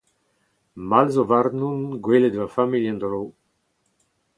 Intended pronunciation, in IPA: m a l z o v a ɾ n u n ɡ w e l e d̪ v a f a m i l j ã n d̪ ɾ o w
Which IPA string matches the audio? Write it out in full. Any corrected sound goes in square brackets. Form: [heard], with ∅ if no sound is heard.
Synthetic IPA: m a l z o v a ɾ n u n ɡ w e l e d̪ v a f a m i l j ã n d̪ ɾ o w